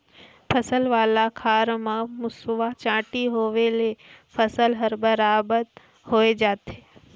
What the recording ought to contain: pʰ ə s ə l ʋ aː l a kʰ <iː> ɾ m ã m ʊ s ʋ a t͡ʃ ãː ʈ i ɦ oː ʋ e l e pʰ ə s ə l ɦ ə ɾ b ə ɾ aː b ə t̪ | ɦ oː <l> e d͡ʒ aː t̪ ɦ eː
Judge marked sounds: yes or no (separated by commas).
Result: no, no